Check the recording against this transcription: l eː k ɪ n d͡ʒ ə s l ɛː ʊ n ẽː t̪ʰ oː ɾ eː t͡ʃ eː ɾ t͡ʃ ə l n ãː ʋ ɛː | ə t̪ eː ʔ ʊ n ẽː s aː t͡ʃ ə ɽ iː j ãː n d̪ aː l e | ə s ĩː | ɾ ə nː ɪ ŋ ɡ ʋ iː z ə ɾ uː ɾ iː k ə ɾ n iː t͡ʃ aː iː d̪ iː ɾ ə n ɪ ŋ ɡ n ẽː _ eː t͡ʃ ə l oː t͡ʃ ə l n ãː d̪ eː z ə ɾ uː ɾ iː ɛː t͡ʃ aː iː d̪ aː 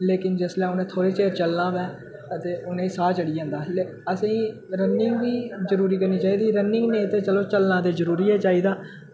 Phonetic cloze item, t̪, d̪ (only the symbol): t̪